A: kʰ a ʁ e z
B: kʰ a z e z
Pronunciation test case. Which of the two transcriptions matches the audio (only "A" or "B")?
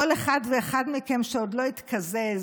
B